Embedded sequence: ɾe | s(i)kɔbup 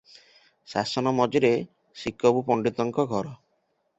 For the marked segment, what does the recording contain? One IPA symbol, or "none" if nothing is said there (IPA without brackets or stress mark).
i